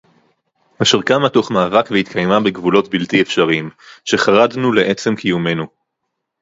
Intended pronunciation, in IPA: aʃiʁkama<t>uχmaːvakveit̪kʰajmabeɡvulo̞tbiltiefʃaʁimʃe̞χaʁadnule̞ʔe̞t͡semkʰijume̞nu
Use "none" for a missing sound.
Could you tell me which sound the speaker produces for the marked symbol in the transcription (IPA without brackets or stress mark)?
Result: t